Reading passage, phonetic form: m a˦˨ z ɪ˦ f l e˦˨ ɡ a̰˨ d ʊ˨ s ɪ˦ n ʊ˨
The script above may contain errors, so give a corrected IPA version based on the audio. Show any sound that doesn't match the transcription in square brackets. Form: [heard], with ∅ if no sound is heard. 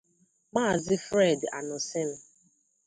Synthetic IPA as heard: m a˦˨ z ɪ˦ f [ɾ] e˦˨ [d] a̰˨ [n] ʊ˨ s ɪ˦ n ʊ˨

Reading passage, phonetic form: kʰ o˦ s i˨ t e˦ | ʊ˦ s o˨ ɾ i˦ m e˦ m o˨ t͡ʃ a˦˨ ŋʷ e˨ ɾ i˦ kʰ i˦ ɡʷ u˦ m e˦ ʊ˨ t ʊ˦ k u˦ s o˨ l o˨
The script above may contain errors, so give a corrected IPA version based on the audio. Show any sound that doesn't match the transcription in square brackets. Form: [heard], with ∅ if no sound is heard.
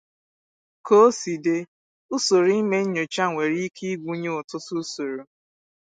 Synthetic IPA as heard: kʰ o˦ s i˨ [d] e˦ | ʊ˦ s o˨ ɾ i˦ m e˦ [ɲ] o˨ t͡ʃ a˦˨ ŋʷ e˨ ɾ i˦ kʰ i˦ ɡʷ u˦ [ɲ] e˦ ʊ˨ t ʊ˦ [t] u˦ s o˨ [ɾ] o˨

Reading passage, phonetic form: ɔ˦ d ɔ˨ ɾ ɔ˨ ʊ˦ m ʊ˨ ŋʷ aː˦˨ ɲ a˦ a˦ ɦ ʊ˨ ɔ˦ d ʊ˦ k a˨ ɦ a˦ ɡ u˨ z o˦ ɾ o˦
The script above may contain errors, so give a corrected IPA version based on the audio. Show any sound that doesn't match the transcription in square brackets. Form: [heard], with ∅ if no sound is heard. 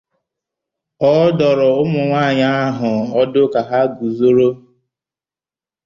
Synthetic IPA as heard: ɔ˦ d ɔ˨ ɾ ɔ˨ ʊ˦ m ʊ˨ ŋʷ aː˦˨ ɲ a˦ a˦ ɦ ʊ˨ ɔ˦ d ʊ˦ k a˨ ɦ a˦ ɡ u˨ z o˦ ɾ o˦

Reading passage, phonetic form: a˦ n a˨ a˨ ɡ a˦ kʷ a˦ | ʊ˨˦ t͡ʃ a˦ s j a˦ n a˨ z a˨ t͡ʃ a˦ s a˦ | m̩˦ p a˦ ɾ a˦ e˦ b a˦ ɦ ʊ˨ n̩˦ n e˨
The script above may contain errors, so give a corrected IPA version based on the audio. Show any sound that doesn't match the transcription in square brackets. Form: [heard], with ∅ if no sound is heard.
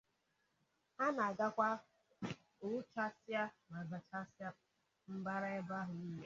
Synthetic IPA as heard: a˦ n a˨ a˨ ɡ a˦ kʷ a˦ | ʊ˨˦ t͡ʃ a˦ s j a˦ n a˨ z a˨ t͡ʃ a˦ s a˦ | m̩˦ [b] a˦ ɾ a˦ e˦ b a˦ ɦ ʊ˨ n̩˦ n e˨

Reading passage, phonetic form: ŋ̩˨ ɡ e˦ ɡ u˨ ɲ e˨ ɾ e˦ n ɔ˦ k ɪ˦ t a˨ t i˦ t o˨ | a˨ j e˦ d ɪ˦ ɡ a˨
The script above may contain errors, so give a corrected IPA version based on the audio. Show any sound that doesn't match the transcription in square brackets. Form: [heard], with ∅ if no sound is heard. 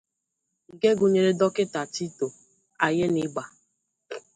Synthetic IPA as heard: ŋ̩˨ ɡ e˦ ɡ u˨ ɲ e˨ ɾ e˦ [d] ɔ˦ k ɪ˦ t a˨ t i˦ t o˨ | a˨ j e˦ [n] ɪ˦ [ɡ͡b] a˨

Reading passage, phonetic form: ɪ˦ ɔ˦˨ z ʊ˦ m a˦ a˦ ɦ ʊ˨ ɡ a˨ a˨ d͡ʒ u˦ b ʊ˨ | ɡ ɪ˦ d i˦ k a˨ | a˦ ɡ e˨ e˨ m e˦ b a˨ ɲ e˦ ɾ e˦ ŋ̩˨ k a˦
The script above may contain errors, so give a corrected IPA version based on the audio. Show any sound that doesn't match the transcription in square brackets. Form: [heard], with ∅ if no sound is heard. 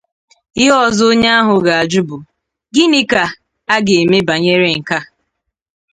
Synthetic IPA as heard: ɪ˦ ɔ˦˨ z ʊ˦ [ɲ] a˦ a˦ ɦ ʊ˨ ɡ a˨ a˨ d͡ʒ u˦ b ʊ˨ | ɡ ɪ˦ [n] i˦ k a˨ | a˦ ɡ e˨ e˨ m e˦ b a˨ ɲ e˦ ɾ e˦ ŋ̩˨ k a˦

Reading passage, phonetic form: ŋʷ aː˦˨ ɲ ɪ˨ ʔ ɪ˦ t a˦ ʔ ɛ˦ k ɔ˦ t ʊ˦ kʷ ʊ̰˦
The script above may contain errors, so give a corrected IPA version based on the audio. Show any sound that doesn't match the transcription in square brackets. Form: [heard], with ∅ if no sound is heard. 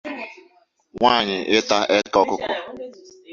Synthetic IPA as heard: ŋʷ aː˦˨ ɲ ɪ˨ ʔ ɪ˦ t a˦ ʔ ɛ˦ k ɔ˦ [k] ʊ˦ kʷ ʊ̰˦

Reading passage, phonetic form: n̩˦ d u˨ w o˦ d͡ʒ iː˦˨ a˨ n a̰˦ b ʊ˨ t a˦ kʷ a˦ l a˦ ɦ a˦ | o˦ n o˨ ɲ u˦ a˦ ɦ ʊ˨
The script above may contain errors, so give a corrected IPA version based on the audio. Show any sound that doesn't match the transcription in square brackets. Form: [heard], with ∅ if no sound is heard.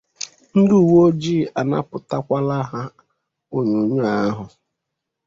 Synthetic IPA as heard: n̩˦ d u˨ w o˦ d͡ʒ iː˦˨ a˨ n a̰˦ [p] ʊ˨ t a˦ kʷ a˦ l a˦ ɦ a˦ | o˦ [ɲ] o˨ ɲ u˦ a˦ ɦ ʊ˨

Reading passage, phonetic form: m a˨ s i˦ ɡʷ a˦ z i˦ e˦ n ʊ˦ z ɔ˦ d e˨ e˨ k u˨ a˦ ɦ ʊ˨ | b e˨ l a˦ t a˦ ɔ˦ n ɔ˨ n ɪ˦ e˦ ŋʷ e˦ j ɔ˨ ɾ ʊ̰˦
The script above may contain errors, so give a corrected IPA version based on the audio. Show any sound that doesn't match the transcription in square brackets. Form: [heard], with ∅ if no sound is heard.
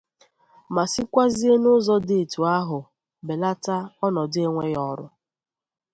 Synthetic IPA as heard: m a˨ s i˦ [kʷ] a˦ z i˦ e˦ n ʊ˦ z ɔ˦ d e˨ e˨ [t] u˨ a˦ ɦ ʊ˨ | b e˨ l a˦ t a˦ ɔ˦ n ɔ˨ [d] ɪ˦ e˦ ŋʷ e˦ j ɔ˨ ɾ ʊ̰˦

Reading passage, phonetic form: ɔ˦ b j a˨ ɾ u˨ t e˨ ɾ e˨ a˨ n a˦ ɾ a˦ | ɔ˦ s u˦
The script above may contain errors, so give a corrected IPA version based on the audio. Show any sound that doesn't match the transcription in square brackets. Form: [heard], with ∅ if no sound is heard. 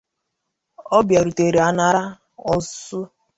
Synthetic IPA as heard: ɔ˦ b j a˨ ɾ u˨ t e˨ ɾ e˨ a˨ n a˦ ɾ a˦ | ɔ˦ s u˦

